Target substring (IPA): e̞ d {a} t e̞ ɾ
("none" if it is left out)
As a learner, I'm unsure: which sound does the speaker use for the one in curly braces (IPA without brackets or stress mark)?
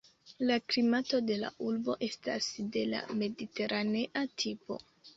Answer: i